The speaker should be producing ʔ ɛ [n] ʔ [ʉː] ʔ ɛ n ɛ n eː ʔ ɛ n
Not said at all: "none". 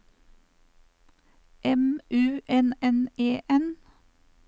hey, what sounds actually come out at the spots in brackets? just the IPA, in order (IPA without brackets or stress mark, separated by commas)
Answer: m, ʉː